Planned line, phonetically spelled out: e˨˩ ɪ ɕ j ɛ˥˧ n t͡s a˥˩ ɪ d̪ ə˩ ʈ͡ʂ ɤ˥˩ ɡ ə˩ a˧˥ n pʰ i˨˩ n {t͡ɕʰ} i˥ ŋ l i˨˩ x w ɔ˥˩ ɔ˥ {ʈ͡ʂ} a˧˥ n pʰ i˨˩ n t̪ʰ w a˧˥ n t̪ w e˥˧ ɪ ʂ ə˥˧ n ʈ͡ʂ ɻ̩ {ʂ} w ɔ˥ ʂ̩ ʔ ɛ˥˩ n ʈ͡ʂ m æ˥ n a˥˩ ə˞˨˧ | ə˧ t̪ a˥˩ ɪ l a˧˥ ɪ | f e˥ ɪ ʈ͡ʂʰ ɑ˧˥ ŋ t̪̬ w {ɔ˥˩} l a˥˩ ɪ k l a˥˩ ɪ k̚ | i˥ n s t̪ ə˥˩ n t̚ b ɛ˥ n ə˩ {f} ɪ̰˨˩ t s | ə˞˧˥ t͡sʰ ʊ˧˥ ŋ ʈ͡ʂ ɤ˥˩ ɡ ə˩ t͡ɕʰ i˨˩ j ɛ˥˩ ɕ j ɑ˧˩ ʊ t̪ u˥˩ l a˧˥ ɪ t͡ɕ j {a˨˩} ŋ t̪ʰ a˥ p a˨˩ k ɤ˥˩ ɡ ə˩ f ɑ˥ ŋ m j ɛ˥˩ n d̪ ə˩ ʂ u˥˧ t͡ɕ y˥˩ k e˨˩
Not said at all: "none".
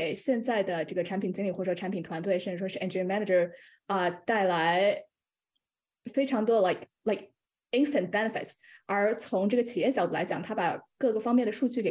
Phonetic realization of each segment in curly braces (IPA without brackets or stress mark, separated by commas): t͡ɕ, ʈ͡ʂʰ, ʂ, ɔ˥, f, ɑ˨˩